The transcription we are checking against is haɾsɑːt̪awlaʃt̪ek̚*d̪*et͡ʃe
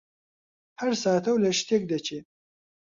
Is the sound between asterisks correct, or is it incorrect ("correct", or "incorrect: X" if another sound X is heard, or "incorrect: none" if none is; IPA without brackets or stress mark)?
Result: correct